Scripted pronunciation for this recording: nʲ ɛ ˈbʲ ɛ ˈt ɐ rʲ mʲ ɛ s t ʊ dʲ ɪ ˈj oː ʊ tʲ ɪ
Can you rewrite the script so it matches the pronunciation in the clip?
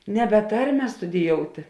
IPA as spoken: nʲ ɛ ˈbʲ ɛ ˈt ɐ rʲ mʲ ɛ s t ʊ dʲ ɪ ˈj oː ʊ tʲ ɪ